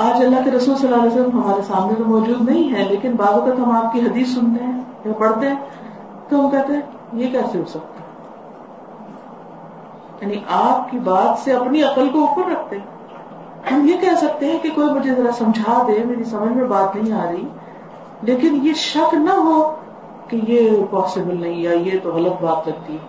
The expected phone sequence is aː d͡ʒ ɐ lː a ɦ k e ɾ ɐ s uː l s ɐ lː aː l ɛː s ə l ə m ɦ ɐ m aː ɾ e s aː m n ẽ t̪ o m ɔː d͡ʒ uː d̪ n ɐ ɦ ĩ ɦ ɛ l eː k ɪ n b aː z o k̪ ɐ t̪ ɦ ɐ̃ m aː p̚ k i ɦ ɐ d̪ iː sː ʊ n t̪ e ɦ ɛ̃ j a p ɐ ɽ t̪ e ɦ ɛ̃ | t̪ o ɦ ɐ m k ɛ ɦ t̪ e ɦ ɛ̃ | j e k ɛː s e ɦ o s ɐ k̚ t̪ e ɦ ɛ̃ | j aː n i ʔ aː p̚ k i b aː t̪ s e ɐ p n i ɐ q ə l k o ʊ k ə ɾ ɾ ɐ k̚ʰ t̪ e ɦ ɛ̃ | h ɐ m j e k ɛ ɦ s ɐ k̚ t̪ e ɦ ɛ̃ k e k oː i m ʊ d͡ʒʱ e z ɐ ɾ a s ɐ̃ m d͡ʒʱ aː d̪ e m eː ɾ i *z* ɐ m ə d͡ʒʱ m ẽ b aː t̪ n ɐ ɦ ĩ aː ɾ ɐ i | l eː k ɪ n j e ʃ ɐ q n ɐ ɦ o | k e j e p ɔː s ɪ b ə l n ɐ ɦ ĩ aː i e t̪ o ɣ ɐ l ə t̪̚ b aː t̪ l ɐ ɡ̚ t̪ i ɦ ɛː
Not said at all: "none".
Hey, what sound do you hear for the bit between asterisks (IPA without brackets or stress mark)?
s